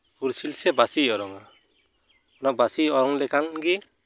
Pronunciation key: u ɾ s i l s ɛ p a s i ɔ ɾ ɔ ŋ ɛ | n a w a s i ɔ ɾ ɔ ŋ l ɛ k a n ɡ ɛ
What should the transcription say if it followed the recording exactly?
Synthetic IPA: u ɾ s i l s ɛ b a s i ɔ ɾ ɔ ŋ a | n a b a s i ɔ ɾ ɔ ŋ l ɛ k a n ɡ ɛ

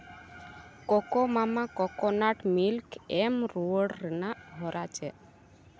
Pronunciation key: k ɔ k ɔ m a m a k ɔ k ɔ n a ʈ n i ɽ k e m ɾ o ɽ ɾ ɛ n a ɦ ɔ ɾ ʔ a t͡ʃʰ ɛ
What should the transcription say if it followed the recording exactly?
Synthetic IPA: k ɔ k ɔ m a m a k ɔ k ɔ n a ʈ m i l k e m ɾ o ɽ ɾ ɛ n a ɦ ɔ ɾ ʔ a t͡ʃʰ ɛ

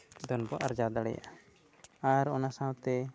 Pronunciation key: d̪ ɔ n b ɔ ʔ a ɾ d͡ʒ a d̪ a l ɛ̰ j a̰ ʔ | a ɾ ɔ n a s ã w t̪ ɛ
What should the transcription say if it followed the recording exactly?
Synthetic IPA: d̪ ɔ n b ɔ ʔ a ɾ d͡ʒ a d̪ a ɽ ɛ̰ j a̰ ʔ | a ɾ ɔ n a s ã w t̪ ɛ

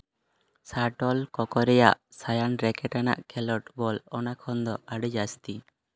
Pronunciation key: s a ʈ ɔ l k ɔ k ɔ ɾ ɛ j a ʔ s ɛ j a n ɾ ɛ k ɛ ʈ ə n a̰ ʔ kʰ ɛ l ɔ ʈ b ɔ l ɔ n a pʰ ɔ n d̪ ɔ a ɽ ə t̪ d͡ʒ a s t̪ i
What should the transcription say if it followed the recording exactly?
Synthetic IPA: s a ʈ ɔ l k ɔ k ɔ ɾ ɛ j a ʔ s a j a n ɾ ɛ k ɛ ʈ a n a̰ ʔ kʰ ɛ l ɔ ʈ b ɔ l ɔ n a kʰ ɔ n d̪ ɔ a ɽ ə d͡ʒ a s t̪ i

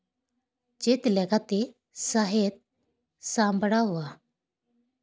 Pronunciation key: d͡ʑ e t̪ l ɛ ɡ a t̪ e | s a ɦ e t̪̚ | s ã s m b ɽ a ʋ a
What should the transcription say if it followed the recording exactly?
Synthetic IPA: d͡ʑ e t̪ l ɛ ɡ a t̪ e | s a ɦ e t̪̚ | s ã m b ɽ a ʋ a

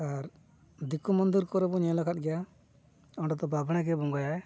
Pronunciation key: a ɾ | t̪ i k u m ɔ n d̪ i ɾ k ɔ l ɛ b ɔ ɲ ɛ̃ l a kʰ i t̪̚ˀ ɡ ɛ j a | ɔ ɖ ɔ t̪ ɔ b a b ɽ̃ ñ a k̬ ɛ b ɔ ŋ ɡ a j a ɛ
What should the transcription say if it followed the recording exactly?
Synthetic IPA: a ɾ | d̪ i k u m ɔ n d̪ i ɾ k ɔ ɾ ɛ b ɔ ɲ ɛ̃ l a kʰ a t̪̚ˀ ɡ ɛ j a | ɔ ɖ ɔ t̪ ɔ b a b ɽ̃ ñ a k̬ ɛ b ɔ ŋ ɡ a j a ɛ

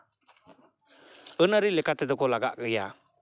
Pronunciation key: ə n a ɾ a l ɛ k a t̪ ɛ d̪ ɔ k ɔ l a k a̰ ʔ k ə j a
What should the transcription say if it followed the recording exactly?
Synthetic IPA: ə n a ɾ i l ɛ k a t̪ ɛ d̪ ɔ k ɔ l a ɡ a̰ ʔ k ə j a

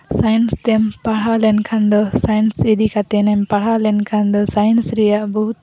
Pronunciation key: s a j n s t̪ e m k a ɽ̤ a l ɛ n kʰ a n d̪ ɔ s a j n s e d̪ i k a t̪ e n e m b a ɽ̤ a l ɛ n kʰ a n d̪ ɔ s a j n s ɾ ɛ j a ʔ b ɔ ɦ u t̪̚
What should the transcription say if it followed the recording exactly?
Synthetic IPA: s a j n s t̪ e m p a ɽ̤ a l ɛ n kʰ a n d̪ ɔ s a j n s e d̪ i k a t̪ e n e m p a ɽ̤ a l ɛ n kʰ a n d̪ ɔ s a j n s ɾ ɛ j a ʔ b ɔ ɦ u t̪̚

